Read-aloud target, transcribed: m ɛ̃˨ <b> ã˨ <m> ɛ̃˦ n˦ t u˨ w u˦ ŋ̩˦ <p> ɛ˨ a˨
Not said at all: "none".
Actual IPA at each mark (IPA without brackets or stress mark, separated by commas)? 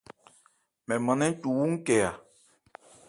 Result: m, n, k